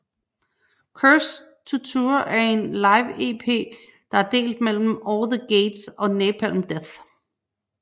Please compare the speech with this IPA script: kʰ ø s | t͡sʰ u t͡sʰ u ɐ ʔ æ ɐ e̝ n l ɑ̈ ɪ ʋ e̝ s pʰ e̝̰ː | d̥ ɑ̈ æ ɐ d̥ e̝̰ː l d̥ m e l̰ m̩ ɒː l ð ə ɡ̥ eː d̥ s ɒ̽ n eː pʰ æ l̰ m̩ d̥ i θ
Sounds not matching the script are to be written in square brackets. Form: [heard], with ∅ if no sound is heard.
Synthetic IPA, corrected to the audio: kʰ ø s | t͡sʰ u t͡sʰ u ɐ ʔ æ ɐ e̝ n l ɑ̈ ɪ ʋ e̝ [∅] pʰ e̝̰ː | d̥ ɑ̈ æ ɐ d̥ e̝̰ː l d̥ m e l̰ m̩ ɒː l ð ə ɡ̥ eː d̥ s ɒ̽ n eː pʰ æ l̰ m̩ d̥ [e] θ